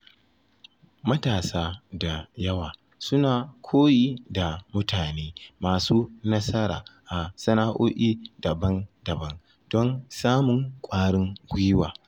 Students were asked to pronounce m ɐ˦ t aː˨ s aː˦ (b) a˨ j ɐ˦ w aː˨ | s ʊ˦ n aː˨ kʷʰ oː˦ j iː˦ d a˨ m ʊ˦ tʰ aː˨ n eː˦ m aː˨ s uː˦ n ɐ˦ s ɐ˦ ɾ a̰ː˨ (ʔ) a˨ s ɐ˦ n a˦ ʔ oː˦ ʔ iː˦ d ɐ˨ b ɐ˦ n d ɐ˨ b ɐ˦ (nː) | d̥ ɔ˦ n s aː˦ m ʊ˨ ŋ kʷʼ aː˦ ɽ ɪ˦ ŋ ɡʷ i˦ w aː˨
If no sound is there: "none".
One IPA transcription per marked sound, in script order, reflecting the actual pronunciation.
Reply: d, ʔ, n

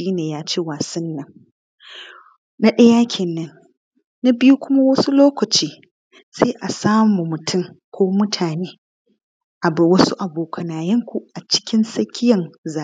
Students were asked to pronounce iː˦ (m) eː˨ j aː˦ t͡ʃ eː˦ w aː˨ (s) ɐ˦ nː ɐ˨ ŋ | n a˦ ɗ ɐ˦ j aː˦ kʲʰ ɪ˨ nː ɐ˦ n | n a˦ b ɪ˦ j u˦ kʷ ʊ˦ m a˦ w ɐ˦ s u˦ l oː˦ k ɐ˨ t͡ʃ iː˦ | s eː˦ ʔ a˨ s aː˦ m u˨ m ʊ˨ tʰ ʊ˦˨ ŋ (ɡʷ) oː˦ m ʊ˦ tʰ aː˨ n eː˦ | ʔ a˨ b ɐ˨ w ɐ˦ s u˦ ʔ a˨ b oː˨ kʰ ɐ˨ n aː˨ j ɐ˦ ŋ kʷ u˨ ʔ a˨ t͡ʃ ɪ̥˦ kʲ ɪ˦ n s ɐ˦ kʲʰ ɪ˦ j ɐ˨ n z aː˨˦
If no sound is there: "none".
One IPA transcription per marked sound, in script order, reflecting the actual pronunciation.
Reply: n, s, kʷ

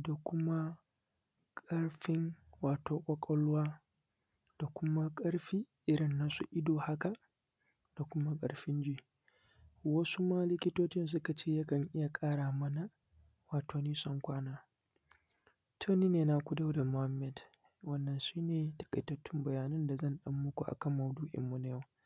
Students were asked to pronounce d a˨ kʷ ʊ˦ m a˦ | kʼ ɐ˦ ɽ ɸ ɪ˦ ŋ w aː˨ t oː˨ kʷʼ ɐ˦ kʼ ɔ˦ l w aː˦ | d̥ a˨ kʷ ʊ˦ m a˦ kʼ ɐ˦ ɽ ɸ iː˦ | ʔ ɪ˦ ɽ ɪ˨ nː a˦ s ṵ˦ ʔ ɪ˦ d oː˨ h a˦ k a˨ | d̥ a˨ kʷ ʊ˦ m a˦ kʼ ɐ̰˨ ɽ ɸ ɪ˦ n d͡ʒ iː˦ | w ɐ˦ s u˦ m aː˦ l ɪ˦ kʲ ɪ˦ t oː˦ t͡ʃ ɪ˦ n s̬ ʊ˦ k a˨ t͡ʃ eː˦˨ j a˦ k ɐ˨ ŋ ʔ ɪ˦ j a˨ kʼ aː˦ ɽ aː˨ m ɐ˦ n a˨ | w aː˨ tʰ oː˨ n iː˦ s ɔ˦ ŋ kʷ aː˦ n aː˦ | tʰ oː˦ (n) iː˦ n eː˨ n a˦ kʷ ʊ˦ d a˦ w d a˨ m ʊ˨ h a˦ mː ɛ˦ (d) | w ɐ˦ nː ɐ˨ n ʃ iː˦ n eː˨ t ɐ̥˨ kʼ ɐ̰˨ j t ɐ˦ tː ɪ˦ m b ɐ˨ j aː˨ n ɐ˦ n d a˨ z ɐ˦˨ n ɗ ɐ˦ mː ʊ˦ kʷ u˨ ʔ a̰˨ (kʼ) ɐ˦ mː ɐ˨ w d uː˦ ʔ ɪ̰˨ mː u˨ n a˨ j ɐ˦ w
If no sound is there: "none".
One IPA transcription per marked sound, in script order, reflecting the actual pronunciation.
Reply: n, d, k

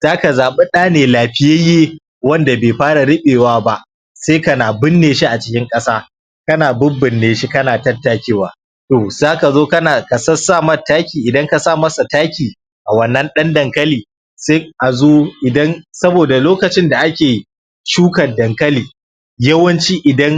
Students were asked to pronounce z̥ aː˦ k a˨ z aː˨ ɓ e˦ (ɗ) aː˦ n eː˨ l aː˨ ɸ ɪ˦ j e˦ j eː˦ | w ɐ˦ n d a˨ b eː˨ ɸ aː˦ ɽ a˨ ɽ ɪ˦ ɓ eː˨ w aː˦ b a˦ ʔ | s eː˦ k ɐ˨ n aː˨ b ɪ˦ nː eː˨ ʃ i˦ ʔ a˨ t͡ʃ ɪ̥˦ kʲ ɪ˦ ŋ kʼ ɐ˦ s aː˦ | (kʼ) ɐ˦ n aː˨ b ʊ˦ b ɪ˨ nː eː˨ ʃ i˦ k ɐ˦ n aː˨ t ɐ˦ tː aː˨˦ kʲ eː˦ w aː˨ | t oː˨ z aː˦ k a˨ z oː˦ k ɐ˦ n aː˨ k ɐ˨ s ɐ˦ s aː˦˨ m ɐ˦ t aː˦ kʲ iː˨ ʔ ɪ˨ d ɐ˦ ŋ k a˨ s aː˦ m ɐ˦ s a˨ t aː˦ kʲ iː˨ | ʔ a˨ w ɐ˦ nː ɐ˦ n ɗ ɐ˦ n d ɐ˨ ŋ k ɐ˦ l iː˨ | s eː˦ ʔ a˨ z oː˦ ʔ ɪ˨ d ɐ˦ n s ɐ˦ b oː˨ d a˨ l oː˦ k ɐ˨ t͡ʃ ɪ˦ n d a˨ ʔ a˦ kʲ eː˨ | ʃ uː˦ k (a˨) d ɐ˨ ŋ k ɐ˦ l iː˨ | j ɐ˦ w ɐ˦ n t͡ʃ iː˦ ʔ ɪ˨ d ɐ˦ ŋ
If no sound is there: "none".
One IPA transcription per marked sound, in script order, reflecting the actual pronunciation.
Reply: ɗ, k, ɐ˨

